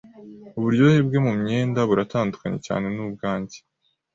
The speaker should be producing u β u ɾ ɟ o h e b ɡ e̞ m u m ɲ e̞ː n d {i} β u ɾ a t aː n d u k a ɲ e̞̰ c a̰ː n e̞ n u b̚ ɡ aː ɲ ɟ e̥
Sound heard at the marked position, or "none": a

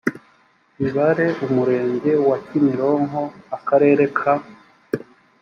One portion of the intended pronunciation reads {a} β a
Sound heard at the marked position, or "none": i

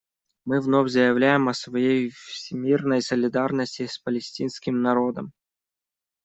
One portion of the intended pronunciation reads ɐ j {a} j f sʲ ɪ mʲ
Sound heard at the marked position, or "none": e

